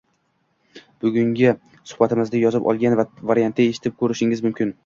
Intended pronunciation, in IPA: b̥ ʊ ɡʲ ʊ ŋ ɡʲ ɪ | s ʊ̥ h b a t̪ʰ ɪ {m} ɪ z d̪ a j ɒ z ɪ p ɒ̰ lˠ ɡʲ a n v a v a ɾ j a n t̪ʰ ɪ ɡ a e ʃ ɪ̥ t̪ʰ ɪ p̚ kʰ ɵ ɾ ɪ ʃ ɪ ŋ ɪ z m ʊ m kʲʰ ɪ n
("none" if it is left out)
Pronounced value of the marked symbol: m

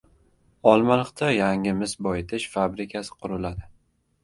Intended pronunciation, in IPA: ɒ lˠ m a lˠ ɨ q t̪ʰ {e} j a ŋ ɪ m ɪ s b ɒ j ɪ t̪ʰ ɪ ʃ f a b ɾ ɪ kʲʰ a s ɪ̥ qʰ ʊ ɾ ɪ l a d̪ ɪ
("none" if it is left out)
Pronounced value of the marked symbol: a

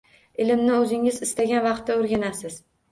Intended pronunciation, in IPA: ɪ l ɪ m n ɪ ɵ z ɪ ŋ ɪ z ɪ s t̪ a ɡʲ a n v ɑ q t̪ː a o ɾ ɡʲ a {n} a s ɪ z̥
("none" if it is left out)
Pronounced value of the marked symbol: n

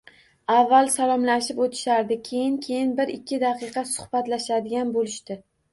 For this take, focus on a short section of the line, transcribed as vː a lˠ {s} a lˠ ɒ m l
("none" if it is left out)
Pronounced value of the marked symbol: s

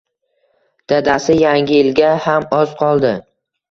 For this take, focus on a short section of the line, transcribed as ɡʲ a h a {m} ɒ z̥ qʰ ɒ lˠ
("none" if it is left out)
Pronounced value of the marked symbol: m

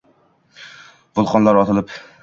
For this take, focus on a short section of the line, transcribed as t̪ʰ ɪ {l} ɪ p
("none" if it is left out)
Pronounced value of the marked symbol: l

